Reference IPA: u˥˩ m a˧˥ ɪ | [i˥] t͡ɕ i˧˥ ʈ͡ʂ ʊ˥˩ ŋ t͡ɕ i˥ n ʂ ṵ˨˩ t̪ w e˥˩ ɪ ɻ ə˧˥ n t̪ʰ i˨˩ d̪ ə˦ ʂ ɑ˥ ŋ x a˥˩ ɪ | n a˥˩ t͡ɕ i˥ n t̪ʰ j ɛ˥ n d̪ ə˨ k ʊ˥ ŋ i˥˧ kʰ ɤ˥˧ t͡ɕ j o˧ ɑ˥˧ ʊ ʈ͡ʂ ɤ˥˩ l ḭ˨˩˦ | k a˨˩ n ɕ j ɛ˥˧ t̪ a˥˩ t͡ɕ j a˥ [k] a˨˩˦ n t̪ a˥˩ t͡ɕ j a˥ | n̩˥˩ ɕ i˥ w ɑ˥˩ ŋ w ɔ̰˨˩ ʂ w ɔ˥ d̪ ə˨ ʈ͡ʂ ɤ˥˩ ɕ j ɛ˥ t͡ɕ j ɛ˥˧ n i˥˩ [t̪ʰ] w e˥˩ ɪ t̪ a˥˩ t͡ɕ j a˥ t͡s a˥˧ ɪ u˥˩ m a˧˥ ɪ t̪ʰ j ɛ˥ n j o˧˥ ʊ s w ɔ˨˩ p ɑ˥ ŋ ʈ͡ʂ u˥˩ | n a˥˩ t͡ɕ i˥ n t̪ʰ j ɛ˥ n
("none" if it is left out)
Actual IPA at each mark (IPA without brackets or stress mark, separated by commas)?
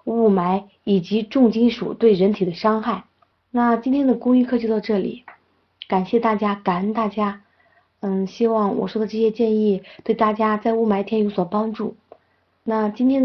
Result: i˨˩, k, t̪